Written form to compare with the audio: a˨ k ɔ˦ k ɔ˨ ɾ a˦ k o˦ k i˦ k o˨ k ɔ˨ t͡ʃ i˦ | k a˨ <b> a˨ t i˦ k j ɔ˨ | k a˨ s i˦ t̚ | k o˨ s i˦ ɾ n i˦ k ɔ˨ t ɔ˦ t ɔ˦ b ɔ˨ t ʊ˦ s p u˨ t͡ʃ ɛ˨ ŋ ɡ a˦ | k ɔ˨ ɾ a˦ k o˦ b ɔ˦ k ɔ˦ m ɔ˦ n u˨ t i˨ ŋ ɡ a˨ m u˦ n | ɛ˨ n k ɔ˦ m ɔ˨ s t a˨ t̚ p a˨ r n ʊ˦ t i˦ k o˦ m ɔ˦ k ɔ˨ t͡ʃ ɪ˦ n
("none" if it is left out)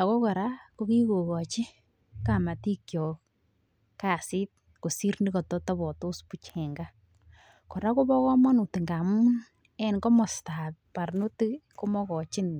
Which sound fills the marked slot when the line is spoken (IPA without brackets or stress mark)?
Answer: m